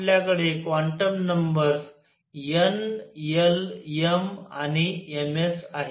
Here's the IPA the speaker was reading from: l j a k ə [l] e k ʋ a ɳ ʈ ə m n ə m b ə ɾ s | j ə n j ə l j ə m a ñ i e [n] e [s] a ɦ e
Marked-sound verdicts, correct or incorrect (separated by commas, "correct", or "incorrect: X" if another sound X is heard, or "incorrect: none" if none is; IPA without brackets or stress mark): incorrect: ɽ, incorrect: m, correct